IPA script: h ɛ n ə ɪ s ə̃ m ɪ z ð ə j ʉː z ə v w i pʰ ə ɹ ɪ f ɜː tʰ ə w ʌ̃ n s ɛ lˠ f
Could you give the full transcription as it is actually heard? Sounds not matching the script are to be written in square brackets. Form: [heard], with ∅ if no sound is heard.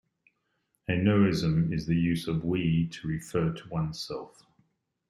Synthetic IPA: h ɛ n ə ɪ [z] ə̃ m ɪ z ð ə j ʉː z ə v w i [tʰ] ə ɹ ɪ f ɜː tʰ ə w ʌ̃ n s ɛ lˠ f